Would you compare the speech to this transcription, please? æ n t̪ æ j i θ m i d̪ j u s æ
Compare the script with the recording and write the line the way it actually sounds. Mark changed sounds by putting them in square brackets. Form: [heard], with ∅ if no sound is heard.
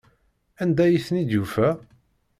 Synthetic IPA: æ n [d̪] æ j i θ [n] i d̪ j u [f] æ

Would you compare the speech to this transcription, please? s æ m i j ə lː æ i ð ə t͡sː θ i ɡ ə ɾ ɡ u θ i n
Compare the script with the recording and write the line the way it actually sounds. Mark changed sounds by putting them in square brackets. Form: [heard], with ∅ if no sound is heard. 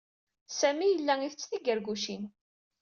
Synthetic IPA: s æ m i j ə lː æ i [θ] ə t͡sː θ i ɡ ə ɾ ɡ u [ʃ] i n

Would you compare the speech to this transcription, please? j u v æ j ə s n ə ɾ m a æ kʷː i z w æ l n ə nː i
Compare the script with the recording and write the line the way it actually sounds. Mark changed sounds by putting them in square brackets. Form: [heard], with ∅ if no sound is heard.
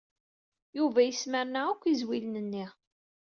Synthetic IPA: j u v æ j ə s [m] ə ɾ [n] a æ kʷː i z w [i] l n ə nː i

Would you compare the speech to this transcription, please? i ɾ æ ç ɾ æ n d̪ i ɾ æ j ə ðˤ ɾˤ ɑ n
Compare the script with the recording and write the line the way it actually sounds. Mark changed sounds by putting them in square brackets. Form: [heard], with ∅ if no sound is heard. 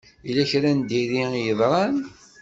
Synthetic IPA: i [l] æ ç ɾ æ n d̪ i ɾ [i] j ə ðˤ ɾˤ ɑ n

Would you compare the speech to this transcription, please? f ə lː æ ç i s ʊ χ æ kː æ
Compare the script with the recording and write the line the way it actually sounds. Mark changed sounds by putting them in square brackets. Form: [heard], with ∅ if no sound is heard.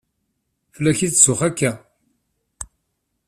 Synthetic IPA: f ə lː æ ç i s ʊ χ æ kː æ

